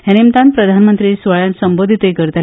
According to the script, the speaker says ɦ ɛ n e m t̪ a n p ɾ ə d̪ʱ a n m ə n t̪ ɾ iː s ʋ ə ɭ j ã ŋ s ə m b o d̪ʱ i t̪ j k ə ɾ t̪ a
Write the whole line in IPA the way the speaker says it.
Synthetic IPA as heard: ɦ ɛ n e m t̪ a n p ɾ ə d̪ʱ a n m ə n t̪ ɾ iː s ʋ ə ɭ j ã n s ə m b o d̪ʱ i t̪ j k ə ɾ t̪ a